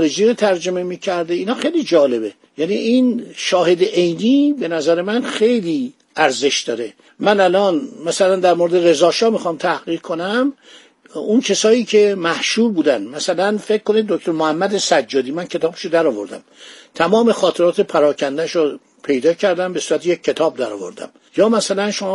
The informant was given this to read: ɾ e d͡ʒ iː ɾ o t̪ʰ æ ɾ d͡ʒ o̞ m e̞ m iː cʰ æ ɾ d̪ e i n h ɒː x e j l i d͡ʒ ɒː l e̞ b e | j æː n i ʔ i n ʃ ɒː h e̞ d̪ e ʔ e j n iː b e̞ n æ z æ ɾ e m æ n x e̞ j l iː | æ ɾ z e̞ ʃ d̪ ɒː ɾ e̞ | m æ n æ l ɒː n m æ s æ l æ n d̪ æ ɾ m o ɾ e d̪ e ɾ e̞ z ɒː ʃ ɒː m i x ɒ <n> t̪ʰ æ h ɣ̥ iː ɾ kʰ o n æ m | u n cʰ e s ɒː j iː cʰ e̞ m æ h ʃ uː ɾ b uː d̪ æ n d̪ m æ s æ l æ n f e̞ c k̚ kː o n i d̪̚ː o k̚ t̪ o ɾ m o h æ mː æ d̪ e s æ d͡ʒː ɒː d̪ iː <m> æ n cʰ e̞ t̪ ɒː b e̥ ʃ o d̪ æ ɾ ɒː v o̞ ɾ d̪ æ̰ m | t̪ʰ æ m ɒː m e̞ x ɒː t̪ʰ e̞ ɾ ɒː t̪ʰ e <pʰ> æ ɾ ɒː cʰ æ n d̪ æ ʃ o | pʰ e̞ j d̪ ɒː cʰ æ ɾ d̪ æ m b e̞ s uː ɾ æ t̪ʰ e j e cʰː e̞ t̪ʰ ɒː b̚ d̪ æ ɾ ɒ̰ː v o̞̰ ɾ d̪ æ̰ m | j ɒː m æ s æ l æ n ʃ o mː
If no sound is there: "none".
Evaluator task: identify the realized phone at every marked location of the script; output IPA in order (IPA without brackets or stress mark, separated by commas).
m, m, pʰ